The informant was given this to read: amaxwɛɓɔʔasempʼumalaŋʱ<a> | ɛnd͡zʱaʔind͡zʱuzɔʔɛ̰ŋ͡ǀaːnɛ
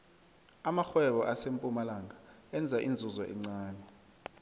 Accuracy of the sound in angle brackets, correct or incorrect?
correct